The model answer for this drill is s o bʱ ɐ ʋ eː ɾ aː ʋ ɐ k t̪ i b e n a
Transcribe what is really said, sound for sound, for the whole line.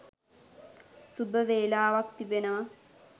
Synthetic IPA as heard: s u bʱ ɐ ʋ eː l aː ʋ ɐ k t̪ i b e n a